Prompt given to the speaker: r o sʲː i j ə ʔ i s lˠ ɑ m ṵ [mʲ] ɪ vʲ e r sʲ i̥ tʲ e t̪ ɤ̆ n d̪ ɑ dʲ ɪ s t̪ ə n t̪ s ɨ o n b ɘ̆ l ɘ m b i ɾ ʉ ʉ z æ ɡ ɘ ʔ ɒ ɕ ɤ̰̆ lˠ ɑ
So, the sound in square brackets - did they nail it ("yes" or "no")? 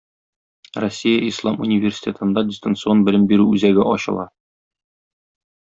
no